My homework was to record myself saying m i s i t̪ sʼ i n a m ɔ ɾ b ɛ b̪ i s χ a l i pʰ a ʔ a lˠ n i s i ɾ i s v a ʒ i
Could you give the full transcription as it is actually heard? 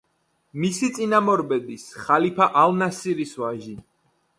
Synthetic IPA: m i s i t̪ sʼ i n a m ɔ ɾ b ɛ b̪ i s χ a l i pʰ a ʔ a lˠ n a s i ɾ i s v a ʒ i